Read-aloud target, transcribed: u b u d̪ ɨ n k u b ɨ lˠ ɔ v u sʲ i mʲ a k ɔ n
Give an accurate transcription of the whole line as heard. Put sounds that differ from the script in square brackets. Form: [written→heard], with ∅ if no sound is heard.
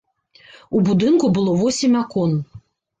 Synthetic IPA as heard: u b u d̪ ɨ n k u b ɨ lˠ ɔ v [u→ɔ] sʲ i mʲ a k ɔ n